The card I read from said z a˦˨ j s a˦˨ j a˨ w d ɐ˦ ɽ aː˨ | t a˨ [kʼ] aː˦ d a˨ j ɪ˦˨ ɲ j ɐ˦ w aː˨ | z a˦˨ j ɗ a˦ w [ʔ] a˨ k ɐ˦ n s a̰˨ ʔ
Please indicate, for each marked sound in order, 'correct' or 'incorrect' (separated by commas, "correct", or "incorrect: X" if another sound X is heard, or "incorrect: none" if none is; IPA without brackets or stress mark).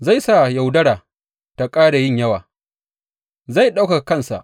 correct, incorrect: k